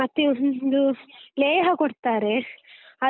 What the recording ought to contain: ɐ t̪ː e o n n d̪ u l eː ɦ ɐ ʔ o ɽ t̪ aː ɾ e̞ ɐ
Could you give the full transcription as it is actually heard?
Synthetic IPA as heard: ɐ t̪ː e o n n d̪ u l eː ɦ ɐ k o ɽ t̪ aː ɾ e̞ ɐ